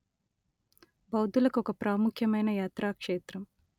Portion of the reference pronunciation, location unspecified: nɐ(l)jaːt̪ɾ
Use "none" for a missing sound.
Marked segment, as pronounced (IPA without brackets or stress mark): none